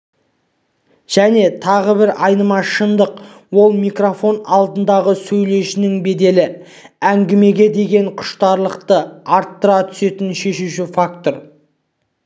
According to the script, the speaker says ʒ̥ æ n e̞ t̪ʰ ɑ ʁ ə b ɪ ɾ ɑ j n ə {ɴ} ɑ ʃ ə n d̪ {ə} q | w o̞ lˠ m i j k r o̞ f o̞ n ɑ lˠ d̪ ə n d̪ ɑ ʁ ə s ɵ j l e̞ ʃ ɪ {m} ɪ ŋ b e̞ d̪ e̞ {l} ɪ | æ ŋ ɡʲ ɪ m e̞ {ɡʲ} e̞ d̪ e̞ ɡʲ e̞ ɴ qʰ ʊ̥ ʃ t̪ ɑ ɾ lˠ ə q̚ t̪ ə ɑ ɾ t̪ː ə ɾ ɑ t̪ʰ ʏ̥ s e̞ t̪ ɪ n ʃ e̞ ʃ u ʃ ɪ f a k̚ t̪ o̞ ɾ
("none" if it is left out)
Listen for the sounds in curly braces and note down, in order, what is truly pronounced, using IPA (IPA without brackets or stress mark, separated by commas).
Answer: m, ə, n, l, ɡʲ